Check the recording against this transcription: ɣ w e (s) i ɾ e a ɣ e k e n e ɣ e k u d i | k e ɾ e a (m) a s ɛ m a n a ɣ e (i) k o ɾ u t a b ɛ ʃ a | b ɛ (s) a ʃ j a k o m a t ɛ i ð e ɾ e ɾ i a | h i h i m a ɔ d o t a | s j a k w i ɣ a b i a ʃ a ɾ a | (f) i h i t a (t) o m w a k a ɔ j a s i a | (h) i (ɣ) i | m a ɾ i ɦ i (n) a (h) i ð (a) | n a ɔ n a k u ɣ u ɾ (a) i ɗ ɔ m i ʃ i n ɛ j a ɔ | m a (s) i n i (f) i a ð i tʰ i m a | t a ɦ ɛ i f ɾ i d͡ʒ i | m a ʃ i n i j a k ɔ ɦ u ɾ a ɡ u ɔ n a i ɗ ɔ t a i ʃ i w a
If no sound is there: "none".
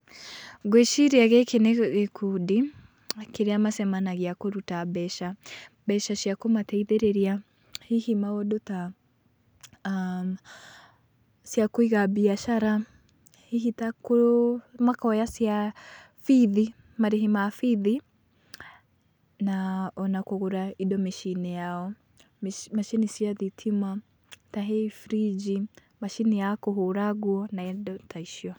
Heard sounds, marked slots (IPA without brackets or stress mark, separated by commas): ʃ, m, a, ʃ, h, k, f, ð, m, f, i, a, ʃ, s